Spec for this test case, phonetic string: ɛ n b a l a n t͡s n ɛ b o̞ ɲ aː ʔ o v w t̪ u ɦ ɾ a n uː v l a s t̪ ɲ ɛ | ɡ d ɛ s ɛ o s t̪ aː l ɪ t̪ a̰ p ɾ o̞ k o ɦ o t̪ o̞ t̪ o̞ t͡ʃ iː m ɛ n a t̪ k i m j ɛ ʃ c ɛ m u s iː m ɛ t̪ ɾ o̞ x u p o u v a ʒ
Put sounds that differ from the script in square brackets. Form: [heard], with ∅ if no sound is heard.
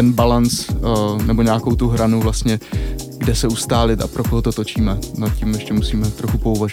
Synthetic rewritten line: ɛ n b a l a n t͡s n ɛ b o̞ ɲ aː [k] o [∅] w t̪ u ɦ ɾ a n [u] v l a s t̪ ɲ ɛ | ɡ d ɛ s ɛ [u] s t̪ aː l ɪ t̪ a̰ p ɾ o̞ k o ɦ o t̪ o̞ t̪ o̞ t͡ʃ iː m ɛ n a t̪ [c] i m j ɛ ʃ c ɛ m u s iː m ɛ t̪ ɾ o̞ x u p o u v a ʒ